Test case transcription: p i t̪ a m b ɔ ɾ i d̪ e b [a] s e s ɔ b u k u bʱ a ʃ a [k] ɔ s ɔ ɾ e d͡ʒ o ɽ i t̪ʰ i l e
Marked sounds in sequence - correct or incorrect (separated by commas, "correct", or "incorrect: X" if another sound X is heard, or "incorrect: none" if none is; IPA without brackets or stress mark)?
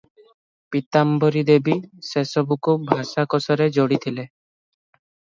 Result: incorrect: i, correct